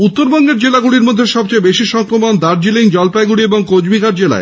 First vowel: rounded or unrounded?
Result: rounded